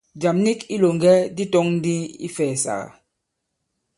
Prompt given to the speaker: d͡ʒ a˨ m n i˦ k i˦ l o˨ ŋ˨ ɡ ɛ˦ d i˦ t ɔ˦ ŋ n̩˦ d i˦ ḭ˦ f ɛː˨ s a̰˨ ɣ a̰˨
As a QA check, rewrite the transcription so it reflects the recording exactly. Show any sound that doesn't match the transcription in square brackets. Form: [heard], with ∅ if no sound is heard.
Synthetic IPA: d͡ʒ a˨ m n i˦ k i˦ l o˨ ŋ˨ ɡ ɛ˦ d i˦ t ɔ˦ ŋ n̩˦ d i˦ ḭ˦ f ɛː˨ s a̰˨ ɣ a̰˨